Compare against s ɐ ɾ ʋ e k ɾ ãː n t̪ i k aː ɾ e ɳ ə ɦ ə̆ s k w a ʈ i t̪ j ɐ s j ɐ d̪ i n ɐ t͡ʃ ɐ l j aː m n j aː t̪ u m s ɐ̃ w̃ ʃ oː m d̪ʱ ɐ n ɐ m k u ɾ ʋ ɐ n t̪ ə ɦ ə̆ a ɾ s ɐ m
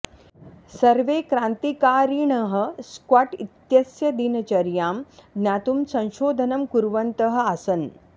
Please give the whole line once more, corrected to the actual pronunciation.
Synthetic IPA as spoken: s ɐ ɾ ʋ e k ɾ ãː n t̪ i k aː ɾ i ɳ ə ɦ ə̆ s k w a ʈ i t̪ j ɐ s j ɐ d̪ i n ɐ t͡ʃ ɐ ɾ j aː m n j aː t̪ u m s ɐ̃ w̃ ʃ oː d̪ʱ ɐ n ɐ m k u ɾ ʋ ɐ n t̪ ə ɦ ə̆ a s ɐ n